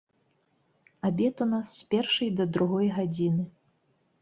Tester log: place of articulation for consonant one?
labial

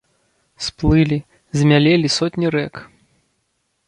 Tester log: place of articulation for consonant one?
alveolar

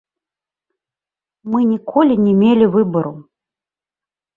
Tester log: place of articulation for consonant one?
labial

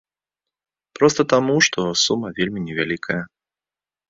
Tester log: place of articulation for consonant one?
labial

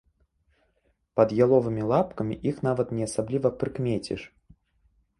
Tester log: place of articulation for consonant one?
labial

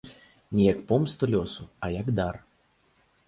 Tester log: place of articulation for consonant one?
alveolar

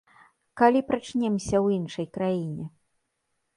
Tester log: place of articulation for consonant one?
velar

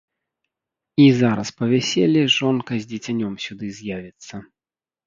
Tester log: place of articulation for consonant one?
alveolar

